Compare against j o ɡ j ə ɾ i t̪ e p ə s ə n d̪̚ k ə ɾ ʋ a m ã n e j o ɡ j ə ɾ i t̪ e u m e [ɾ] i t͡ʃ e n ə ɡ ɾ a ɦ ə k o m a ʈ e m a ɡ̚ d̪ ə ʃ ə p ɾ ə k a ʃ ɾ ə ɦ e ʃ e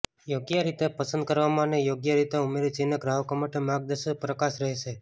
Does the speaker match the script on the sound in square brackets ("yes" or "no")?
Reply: yes